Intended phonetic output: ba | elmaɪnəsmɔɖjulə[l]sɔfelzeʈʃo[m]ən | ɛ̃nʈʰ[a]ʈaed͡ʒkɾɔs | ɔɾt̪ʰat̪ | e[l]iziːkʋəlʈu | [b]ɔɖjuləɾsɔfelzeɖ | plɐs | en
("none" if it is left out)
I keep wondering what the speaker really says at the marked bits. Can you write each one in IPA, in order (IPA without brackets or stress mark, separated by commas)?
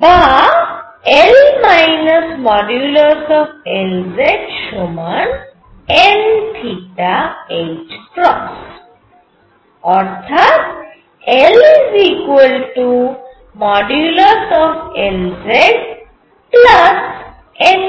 ɾ, m, i, l, m